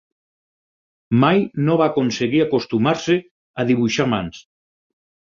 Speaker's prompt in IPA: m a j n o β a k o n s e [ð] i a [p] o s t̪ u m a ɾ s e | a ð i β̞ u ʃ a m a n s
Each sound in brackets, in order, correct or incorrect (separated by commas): incorrect, incorrect